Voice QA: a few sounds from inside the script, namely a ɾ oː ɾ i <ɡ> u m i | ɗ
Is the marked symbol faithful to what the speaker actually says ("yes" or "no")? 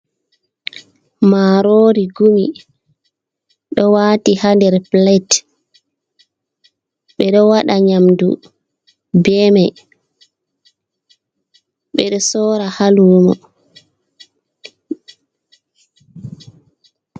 yes